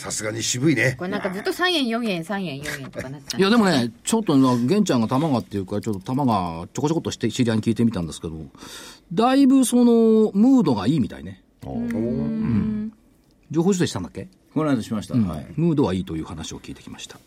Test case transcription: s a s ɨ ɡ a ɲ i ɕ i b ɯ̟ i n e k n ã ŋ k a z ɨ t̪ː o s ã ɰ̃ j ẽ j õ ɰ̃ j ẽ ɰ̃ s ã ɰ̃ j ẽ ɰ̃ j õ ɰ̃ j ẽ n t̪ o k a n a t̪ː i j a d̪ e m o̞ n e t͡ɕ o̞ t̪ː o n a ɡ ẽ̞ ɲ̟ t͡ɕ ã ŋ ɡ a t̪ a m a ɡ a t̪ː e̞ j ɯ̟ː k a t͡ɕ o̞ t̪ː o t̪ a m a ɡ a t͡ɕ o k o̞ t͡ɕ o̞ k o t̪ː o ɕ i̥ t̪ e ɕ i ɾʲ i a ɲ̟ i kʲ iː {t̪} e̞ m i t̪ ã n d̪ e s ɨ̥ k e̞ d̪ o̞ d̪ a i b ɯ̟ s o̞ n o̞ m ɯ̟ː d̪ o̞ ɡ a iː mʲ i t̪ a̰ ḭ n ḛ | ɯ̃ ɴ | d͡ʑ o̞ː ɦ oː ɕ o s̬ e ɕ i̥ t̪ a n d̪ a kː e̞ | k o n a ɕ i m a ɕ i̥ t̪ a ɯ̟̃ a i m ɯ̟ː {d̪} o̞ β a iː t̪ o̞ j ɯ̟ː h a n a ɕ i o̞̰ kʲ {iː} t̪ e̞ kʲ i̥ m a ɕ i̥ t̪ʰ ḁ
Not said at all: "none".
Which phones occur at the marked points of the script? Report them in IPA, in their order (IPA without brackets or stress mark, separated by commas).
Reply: t̪, d̪, iː